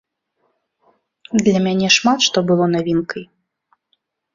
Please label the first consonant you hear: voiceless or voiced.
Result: voiced